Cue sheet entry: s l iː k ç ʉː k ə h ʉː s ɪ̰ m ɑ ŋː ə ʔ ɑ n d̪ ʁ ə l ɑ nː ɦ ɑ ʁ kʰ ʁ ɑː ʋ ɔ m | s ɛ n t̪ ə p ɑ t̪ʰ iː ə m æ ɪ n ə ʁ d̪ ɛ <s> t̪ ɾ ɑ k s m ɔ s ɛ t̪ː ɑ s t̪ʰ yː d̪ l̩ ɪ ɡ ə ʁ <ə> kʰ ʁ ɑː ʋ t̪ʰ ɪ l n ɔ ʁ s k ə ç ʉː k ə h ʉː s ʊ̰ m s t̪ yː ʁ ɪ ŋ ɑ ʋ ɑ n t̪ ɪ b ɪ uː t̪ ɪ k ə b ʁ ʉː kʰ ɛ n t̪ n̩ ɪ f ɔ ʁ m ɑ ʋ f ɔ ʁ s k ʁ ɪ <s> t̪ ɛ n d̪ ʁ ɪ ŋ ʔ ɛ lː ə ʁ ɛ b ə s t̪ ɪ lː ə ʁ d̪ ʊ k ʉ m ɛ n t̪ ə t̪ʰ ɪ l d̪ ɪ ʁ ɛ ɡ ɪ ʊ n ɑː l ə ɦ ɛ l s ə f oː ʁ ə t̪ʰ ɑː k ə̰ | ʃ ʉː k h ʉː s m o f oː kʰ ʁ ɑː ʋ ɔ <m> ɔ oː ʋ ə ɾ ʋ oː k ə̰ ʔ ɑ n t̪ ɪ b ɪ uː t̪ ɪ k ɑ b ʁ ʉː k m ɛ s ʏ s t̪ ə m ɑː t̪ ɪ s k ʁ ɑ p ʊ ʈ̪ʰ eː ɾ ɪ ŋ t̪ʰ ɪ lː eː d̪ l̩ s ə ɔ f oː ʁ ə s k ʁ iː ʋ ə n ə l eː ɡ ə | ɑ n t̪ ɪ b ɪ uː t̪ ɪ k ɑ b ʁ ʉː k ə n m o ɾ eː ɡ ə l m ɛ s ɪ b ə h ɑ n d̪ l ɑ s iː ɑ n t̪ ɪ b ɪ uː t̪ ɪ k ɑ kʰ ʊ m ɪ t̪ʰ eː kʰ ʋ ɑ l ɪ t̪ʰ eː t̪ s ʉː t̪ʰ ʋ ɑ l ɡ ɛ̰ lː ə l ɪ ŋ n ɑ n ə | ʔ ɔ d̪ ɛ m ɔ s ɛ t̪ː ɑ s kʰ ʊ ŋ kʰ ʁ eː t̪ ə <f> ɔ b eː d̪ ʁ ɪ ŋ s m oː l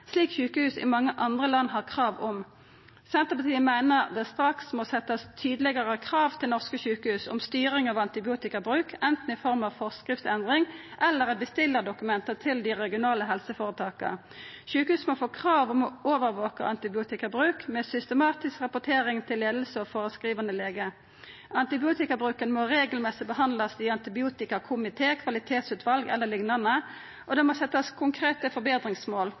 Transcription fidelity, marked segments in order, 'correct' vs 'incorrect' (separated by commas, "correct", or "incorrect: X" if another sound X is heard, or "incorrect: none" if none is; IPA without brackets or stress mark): correct, correct, incorrect: f, correct, correct